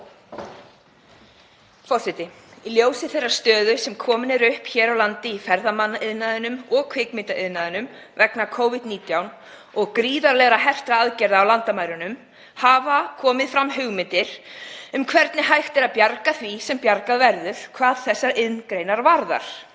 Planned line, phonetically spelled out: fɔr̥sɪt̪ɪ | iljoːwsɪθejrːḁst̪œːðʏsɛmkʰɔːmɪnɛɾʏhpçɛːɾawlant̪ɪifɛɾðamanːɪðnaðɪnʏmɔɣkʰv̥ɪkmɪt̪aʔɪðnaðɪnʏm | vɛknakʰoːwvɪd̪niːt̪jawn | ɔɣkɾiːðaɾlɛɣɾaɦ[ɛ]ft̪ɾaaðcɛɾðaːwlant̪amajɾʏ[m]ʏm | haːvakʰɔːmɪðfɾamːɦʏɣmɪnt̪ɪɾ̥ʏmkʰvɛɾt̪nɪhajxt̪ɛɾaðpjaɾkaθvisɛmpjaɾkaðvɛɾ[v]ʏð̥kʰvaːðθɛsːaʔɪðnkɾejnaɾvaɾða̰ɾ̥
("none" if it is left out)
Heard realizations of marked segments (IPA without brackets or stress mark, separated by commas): ɛ, n, ð